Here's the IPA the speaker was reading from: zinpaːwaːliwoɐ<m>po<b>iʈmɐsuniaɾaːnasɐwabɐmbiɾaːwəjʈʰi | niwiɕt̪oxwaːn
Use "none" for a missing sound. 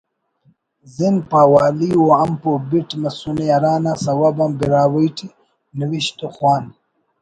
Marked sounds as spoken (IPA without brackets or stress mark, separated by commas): m, b